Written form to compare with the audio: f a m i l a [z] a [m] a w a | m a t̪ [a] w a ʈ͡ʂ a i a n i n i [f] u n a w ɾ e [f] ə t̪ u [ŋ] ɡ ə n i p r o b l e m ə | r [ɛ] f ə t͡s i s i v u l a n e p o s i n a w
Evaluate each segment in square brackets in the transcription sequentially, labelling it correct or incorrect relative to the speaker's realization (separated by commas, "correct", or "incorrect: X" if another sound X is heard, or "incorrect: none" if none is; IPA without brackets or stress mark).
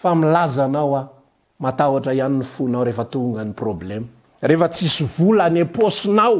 correct, incorrect: n, correct, correct, correct, correct, incorrect: e